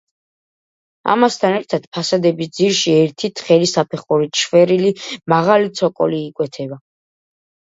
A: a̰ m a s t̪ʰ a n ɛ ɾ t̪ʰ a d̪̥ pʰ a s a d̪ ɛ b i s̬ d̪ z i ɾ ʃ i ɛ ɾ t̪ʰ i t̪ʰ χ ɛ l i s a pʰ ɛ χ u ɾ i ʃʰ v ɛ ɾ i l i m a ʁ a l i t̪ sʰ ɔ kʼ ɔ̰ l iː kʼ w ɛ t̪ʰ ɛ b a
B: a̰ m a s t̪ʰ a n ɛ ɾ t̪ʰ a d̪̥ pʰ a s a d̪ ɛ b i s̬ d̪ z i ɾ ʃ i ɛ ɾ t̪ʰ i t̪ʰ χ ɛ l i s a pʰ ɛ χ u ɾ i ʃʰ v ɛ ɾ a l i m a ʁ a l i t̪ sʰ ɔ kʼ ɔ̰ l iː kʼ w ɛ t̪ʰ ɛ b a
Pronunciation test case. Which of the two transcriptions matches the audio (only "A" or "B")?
A